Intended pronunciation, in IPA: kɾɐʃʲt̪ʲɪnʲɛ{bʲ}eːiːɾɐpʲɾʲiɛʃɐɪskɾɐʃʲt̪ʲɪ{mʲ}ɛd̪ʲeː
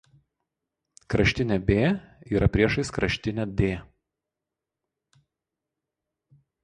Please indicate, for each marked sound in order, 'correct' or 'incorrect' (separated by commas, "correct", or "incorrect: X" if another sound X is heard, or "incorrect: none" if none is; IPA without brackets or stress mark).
correct, incorrect: nʲ